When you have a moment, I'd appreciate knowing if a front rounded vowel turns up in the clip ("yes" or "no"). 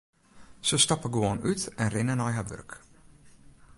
yes